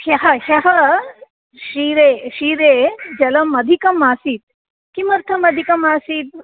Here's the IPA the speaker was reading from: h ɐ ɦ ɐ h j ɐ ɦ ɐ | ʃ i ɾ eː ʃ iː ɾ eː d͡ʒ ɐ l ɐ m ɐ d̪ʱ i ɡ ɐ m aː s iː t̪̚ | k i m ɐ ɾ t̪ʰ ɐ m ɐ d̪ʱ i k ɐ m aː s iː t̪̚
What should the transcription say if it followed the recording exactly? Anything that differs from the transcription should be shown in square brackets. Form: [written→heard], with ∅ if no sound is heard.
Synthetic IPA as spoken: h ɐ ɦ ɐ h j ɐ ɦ ɐ | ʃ i ɾ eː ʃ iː ɾ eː d͡ʒ ɐ l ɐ m ɐ d̪ʱ i [ɡ→k] ɐ m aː s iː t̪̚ | k i m ɐ ɾ t̪ʰ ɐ m ɐ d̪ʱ i k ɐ m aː s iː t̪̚